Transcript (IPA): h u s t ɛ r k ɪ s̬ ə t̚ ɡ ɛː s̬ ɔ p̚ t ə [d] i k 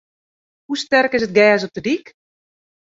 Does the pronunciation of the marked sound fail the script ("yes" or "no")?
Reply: no